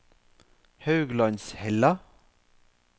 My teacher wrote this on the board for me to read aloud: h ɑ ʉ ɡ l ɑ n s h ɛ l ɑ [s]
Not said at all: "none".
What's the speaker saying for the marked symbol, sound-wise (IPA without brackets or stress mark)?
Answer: none